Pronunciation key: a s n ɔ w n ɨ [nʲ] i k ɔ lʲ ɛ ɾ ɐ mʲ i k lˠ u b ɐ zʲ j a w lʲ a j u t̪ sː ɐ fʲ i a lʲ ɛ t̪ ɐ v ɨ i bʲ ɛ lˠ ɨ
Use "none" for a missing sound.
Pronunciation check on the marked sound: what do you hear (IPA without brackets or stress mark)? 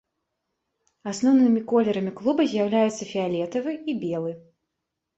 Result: mʲ